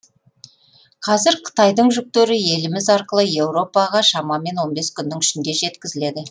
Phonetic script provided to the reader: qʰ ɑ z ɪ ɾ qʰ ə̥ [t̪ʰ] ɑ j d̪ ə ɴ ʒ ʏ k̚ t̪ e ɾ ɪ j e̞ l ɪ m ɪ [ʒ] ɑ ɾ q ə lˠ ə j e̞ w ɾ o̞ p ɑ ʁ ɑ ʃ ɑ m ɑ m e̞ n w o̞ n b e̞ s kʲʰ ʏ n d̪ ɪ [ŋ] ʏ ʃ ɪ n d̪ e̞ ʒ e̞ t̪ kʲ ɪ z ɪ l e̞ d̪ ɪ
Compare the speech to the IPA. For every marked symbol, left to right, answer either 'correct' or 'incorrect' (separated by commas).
incorrect, incorrect, correct